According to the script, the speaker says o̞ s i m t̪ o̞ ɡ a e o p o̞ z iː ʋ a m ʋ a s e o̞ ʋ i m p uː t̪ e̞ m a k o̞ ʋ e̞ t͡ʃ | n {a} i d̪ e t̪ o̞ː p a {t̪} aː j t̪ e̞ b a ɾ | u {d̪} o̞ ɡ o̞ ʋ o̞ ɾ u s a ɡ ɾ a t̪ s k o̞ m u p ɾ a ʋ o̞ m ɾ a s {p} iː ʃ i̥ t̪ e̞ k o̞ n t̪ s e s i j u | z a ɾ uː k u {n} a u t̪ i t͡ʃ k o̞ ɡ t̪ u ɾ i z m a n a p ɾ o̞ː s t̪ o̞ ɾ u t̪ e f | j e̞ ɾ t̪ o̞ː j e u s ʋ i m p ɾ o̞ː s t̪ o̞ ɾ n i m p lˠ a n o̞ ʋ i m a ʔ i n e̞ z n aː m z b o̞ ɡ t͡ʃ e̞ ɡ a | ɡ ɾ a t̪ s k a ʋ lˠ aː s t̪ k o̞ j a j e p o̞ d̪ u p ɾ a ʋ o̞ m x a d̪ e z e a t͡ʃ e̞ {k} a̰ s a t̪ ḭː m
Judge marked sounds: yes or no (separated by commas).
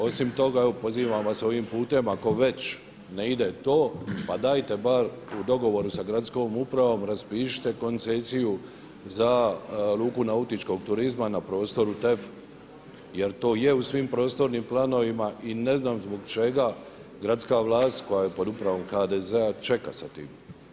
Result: no, no, yes, yes, yes, yes